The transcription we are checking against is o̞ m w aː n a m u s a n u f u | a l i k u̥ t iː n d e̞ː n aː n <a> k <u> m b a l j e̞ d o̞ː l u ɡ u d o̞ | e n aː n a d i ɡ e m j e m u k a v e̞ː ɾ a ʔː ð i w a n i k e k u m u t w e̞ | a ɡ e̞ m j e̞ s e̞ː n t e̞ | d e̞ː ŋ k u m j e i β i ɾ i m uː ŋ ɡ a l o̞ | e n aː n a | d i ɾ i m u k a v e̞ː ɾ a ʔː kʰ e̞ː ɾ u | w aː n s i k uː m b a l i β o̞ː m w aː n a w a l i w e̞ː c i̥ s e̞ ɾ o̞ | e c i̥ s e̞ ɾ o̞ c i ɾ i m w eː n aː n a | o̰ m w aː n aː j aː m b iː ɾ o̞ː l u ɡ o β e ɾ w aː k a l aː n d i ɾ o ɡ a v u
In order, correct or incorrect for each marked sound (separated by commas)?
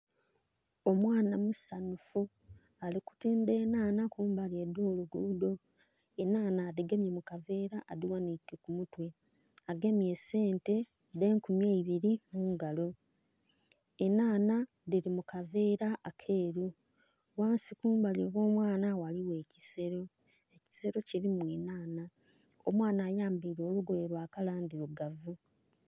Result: correct, incorrect